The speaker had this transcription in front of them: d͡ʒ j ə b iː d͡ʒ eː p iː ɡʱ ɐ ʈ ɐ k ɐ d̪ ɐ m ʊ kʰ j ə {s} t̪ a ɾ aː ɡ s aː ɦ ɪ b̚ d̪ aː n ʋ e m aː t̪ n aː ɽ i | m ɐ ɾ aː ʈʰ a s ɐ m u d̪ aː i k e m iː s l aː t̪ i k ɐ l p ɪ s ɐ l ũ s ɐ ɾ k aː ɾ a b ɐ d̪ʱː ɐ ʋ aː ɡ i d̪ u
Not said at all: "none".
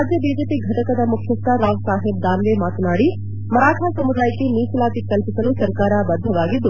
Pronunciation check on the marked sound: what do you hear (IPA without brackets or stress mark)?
s